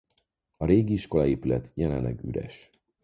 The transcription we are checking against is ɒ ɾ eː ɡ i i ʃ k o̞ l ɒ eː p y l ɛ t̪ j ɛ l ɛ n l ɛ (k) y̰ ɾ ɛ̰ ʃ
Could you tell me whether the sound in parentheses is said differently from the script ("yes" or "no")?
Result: yes